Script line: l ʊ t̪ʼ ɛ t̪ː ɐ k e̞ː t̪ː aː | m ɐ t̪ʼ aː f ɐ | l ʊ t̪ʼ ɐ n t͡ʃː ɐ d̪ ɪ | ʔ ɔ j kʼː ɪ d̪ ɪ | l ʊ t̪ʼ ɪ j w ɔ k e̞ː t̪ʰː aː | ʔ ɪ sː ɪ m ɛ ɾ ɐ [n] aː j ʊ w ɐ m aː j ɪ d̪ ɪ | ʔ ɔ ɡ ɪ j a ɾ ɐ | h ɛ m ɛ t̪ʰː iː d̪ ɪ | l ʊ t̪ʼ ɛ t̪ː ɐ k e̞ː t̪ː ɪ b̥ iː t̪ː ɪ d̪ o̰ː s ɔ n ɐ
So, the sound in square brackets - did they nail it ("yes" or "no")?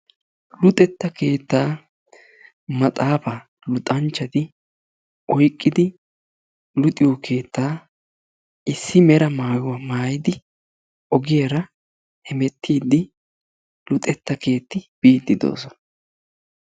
no